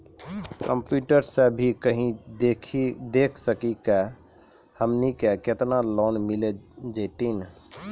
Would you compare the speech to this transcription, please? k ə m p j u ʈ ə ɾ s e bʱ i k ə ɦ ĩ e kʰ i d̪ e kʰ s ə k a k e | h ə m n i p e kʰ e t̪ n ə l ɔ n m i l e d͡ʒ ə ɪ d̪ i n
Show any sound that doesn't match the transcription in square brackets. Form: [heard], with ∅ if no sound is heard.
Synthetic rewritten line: k ə m p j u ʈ ə ɾ s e bʱ i k ə ɦ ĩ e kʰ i d̪ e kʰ s ə k [i] k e | h ə m n i [k] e [k] e t̪ n [a] l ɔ n m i l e d͡ʒ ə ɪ [t̪] i n

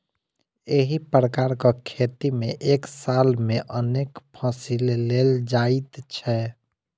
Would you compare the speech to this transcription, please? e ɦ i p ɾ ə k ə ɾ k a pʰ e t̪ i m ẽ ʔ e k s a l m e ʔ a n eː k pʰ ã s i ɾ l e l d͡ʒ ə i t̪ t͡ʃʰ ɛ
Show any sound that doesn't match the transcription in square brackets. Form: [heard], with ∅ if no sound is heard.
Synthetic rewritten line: e ɦ i p ɾ ə k [a] ɾ k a [kʰ] e t̪ i m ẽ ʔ e k s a l m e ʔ [ə] n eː k pʰ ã s i [l] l e l d͡ʒ [a] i t̪ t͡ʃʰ ɛ

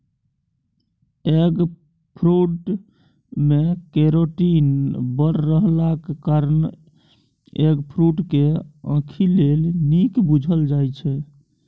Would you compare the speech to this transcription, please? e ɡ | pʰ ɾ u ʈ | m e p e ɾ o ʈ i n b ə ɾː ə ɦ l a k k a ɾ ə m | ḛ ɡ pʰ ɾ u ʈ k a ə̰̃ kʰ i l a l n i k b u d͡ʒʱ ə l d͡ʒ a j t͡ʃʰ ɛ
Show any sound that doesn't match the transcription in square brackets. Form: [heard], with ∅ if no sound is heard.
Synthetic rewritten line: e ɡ | pʰ ɾ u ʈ | m e [k] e ɾ o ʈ i n b ə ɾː ə ɦ l a k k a ɾ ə [n] | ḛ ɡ pʰ ɾ u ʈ k [e] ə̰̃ kʰ i l [e] l n i k b u d͡ʒʱ ə l d͡ʒ a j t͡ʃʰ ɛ

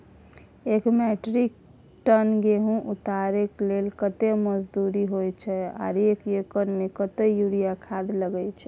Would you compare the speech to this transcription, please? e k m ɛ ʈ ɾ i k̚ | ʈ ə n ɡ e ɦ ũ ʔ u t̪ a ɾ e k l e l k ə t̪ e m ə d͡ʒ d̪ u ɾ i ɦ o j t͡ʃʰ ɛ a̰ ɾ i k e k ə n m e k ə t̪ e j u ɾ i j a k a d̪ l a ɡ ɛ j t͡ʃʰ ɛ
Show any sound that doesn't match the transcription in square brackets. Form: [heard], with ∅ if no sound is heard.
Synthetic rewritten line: e k m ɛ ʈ ɾ i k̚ | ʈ ə n ɡ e ɦ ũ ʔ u t̪ a ɾ e k l e l k ə t̪ e m ə d͡ʒ d̪ u ɾ i ɦ o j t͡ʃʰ ɛ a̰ ɾ [e] k e k ə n m e k ə t̪ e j u ɾ i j a [kʰ] a d̪ l [ə] ɡ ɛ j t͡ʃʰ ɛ

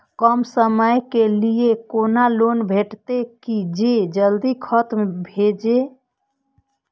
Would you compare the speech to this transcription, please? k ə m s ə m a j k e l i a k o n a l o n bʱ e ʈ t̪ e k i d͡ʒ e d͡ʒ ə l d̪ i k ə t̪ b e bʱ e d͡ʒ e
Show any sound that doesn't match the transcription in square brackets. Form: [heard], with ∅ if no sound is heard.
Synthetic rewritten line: k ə m s ə m [ə] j k e l i [e] k o n a l o n bʱ e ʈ t̪ e k i d͡ʒ e d͡ʒ ə l d̪ i [kʰ] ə t̪ [m] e bʱ e d͡ʒ e

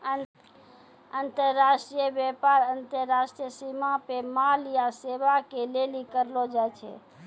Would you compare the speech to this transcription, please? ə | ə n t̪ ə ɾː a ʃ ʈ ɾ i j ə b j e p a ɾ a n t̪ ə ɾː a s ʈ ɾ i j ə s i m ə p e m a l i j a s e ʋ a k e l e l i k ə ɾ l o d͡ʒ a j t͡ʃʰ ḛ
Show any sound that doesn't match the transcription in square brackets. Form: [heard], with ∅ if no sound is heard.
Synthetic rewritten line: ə | ə n t̪ ə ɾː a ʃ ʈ ɾ i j ə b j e p a ɾ [ə] n t̪ ə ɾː a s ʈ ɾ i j ə s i m [a] p e m a l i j a s e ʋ a k e l e l i k ə ɾ l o d͡ʒ a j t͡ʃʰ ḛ

